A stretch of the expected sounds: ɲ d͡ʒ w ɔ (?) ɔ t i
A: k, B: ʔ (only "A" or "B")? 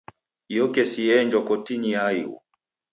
A